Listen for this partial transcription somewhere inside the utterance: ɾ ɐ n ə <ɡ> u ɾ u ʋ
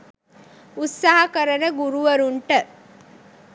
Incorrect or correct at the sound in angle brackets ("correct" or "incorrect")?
correct